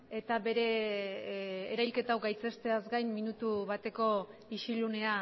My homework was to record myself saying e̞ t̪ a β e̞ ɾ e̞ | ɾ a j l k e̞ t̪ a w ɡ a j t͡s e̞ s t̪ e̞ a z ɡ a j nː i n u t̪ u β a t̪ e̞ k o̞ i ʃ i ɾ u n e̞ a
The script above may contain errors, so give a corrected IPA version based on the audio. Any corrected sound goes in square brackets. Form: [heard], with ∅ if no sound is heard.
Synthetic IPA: e̞ t̪ a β e̞ ɾ e̞ | ɾ a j l k e̞ t̪ a w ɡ a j t͡s e̞ s t̪ e̞ a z ɡ a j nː i n u t̪ u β a t̪ e̞ k o̞ i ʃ i [l] u n e̞ a